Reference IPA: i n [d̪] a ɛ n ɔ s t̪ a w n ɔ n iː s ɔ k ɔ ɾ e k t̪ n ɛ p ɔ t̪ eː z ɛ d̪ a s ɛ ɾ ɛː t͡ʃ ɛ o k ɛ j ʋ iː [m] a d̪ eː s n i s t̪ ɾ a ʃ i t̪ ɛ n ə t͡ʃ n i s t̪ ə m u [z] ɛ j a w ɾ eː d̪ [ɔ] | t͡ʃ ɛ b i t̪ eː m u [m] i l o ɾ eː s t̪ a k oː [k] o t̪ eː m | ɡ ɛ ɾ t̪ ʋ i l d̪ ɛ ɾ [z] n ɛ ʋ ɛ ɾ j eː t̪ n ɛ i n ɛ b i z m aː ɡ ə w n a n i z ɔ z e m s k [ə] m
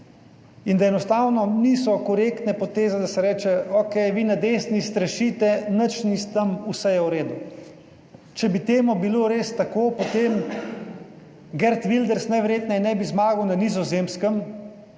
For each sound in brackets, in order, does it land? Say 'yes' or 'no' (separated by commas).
yes, no, no, no, no, no, no, yes